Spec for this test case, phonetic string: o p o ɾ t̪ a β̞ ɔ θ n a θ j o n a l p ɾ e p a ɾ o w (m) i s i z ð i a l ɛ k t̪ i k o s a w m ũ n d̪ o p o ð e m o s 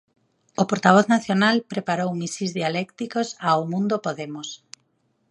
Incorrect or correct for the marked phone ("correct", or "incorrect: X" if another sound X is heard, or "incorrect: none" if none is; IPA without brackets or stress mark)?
correct